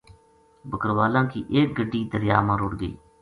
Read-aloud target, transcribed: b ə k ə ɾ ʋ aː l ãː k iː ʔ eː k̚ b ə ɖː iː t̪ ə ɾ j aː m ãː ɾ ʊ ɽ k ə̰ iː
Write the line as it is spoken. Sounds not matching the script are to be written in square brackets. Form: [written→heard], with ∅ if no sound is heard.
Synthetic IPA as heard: b ə k ə ɾ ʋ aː l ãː k iː ʔ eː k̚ [b→ɡ] ə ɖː iː [t̪→d̪] ə ɾ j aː m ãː ɾ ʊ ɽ [k→ɡ] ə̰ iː